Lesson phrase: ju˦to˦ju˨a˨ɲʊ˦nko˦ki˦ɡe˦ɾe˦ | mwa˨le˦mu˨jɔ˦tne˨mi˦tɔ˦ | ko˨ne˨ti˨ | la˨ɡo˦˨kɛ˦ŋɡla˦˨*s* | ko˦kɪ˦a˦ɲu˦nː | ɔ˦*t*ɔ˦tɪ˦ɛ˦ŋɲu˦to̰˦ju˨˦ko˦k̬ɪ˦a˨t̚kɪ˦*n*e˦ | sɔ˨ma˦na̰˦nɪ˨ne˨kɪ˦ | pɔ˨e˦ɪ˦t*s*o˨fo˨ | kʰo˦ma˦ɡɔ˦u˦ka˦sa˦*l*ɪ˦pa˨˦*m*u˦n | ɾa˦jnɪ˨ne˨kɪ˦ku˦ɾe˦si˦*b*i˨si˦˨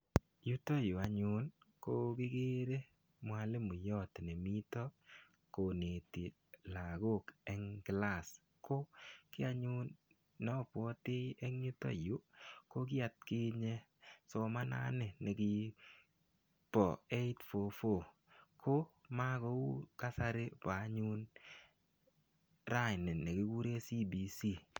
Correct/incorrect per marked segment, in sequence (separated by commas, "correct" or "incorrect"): correct, incorrect, incorrect, incorrect, incorrect, incorrect, correct